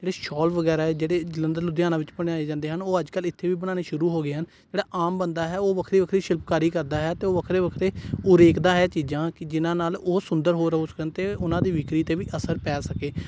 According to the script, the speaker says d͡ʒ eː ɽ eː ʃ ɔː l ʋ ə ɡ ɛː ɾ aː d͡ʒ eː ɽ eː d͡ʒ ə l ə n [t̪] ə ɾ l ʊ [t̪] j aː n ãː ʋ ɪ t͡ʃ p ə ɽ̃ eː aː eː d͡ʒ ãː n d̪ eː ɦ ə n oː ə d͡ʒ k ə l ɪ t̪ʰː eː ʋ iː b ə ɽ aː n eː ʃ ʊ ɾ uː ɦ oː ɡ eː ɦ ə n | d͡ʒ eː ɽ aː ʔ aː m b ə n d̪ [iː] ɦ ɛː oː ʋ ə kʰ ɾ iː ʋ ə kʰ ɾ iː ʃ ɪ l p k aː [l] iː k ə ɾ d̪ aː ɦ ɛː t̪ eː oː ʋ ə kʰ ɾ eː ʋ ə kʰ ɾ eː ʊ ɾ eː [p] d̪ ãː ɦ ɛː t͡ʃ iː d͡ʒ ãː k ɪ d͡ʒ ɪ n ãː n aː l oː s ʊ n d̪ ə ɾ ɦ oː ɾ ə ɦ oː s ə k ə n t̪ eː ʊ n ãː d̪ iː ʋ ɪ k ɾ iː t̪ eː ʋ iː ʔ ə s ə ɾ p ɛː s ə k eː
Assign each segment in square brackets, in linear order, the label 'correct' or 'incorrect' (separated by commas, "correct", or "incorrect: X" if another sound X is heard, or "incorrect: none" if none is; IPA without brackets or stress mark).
incorrect: d̪, incorrect: d̪, incorrect: aː, incorrect: ɾ, incorrect: k